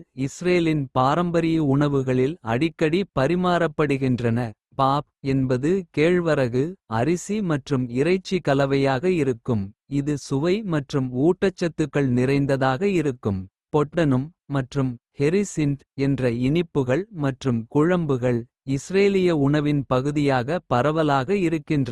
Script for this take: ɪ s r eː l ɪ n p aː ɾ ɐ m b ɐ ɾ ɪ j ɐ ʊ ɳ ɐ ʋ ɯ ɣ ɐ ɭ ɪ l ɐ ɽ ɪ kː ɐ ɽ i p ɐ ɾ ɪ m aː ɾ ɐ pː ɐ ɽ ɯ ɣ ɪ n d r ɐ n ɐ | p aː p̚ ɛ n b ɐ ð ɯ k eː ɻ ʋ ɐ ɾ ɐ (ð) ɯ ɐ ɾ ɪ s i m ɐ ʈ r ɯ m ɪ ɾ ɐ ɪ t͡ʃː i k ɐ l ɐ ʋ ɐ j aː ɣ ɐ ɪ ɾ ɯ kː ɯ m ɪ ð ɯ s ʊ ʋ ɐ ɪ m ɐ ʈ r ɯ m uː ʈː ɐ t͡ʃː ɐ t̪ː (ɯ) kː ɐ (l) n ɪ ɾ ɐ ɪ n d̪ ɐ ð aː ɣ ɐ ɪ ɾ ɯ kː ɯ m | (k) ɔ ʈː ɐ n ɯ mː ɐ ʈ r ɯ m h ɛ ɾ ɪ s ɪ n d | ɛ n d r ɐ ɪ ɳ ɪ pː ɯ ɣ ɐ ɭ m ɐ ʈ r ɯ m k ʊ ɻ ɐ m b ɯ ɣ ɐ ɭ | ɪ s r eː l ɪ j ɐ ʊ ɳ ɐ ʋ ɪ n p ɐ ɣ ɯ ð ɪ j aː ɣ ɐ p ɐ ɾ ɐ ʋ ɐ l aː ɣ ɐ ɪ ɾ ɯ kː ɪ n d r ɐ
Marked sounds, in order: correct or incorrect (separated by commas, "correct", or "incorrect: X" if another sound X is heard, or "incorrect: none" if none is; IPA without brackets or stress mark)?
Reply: incorrect: ɣ, correct, incorrect: ɭ, incorrect: p